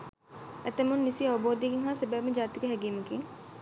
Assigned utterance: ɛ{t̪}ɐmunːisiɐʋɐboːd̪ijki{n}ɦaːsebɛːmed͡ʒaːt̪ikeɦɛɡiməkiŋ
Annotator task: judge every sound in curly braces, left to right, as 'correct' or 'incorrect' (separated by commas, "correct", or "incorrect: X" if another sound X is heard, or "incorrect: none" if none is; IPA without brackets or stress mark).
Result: correct, incorrect: ŋ